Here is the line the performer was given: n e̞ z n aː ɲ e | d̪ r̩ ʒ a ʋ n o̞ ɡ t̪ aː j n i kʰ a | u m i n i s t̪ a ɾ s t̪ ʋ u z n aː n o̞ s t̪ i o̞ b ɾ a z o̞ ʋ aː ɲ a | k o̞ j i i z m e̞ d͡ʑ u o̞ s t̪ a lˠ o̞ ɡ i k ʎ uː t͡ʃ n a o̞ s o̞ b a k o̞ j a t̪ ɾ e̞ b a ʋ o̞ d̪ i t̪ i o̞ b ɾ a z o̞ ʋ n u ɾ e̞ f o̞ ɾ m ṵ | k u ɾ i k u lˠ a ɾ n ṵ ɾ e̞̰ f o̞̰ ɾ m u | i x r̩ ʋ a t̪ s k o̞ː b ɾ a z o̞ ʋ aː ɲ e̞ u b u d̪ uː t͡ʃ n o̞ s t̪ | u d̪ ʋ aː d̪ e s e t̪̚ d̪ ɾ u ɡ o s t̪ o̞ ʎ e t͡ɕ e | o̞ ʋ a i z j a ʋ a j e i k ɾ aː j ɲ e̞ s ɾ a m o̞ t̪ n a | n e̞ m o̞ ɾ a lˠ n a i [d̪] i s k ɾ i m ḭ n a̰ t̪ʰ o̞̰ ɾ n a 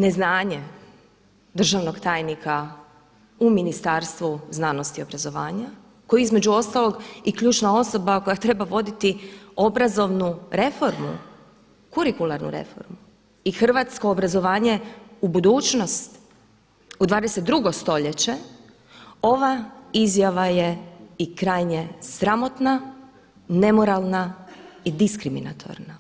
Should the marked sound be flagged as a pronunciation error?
no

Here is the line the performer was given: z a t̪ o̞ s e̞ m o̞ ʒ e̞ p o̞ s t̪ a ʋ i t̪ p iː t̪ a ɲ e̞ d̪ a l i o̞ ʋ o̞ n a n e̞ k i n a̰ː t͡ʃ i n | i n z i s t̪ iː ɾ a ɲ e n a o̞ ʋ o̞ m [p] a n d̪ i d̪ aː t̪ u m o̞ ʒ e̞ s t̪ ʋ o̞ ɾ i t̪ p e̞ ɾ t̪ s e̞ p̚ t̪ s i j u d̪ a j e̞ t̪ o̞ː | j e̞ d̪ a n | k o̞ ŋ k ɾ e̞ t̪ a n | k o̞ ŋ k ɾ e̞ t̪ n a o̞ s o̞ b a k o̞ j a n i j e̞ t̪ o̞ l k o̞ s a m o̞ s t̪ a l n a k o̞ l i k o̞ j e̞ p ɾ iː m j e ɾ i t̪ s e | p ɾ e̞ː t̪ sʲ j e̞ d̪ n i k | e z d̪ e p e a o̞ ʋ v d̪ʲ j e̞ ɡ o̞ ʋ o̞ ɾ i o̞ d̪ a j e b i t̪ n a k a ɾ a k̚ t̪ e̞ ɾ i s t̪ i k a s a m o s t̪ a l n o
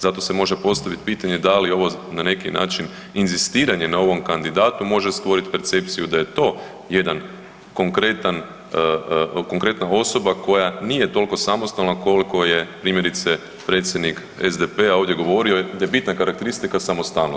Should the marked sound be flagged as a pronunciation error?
yes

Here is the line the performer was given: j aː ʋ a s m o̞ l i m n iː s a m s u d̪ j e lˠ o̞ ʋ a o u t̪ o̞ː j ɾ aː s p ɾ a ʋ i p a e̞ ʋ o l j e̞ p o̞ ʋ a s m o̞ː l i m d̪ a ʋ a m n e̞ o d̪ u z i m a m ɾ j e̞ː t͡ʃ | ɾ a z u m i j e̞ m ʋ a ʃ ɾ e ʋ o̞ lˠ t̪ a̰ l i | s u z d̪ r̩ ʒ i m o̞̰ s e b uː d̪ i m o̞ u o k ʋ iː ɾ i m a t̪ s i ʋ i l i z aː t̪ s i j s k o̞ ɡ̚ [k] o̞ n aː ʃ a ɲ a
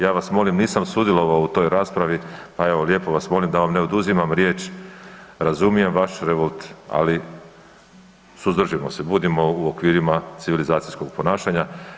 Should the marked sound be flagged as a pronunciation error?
yes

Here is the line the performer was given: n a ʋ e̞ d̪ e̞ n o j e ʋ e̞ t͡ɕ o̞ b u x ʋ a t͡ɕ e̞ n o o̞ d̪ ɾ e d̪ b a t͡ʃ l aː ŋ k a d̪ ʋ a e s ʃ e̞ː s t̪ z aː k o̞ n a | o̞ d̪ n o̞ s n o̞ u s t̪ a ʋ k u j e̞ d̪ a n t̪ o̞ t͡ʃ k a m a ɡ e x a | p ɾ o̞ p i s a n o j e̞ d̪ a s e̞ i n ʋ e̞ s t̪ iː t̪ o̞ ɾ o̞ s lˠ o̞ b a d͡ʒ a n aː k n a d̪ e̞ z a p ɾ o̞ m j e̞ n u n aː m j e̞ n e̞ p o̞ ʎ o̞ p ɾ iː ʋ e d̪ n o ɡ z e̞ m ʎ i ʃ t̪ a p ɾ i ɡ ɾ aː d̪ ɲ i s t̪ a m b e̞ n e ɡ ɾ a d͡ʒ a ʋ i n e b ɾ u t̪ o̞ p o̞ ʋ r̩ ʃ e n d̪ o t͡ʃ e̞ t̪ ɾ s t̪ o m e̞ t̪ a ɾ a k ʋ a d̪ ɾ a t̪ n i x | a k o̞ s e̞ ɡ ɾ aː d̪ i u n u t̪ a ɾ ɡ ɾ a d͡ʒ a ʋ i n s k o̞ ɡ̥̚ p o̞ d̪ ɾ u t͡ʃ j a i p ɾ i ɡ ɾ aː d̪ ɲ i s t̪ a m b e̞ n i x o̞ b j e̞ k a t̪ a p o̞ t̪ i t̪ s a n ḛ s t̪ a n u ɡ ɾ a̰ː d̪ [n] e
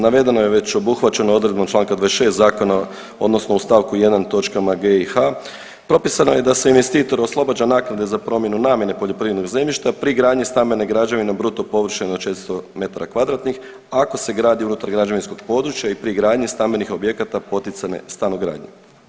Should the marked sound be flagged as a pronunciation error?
yes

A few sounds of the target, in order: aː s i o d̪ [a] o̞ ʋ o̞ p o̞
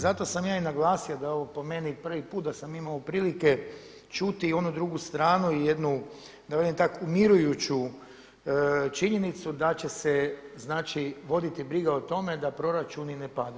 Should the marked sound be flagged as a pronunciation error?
no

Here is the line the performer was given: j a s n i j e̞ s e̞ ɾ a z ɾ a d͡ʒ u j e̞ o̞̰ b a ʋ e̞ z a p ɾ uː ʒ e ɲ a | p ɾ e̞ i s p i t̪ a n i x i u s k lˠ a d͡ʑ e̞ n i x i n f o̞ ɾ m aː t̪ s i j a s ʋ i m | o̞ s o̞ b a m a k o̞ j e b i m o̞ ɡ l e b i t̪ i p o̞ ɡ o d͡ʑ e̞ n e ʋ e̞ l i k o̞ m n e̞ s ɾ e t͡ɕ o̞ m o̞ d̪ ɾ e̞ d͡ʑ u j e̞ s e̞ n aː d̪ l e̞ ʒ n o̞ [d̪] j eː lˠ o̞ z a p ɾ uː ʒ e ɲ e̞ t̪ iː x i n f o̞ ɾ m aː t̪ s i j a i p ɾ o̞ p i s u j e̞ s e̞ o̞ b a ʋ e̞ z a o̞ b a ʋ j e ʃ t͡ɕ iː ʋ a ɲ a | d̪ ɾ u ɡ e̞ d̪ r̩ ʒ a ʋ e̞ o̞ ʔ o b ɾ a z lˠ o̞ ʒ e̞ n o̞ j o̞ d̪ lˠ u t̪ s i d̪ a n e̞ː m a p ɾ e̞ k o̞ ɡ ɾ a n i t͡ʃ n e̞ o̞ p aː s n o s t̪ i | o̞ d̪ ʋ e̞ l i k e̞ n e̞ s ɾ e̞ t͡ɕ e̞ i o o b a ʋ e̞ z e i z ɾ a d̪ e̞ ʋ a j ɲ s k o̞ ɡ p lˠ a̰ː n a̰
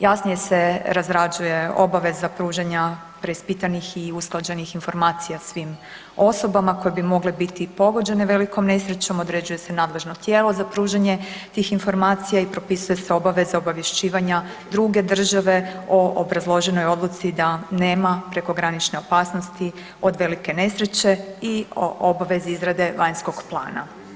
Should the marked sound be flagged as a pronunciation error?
yes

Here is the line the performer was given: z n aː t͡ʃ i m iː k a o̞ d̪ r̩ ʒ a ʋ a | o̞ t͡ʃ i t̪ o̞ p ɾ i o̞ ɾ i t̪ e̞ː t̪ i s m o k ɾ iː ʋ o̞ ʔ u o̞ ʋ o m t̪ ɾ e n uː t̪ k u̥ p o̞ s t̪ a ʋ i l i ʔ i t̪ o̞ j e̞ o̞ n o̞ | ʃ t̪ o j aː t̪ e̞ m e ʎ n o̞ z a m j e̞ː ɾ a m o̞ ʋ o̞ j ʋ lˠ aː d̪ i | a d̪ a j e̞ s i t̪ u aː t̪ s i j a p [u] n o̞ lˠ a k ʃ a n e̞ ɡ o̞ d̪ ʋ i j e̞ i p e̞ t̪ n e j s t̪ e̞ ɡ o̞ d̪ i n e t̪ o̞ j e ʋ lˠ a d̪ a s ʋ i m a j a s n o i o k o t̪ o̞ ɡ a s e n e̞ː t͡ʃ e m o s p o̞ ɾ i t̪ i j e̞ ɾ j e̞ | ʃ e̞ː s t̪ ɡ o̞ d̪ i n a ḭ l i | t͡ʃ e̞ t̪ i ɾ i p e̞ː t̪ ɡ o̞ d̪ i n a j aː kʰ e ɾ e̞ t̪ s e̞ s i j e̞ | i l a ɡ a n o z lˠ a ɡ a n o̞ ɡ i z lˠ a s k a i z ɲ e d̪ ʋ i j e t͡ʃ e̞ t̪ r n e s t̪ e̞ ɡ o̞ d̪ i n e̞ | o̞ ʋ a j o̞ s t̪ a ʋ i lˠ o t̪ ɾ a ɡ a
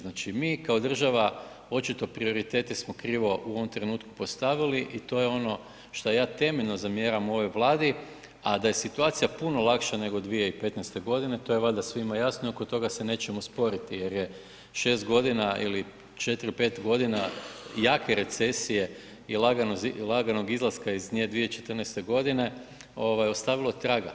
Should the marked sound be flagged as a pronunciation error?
no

